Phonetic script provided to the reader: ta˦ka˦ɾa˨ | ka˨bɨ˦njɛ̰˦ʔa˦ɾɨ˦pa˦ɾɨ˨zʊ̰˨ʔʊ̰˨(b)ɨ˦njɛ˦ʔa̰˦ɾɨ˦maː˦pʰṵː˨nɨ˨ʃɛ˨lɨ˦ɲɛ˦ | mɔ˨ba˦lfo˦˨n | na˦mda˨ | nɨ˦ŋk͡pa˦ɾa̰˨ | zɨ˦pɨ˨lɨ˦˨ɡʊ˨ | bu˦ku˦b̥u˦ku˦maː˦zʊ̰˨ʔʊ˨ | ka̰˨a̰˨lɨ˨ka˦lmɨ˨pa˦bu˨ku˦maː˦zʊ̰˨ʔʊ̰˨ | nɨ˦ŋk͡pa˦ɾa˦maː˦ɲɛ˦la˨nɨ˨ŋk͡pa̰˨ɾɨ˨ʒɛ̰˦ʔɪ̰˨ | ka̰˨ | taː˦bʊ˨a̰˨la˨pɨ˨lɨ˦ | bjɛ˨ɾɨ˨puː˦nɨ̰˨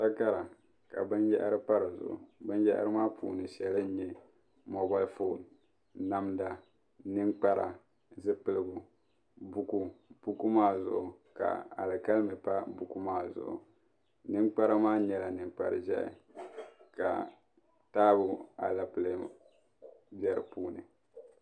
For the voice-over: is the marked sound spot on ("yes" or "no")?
yes